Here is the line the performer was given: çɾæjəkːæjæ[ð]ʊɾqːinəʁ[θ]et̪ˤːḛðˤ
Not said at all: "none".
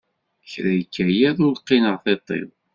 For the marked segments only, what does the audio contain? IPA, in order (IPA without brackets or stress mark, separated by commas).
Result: ð, θ